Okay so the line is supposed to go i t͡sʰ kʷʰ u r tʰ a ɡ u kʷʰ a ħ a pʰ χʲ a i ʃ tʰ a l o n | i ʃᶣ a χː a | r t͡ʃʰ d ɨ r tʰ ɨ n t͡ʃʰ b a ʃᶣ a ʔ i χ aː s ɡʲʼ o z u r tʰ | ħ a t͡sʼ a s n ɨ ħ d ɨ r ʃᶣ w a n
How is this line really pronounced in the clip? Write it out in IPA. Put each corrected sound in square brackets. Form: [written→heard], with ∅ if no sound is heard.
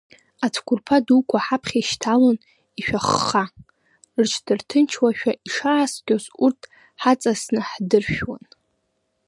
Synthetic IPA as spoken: [i→a] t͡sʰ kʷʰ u r [tʰ→pʰ] a [ɡ→d] u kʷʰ a ħ a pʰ χʲ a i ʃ tʰ a l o n | i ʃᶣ a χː a | r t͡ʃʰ d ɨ r tʰ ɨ n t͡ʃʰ [b→w] a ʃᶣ a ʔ i [χ→ʂ] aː s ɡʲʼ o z u r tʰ | ħ a t͡sʼ a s n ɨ ħ d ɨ r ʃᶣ w a n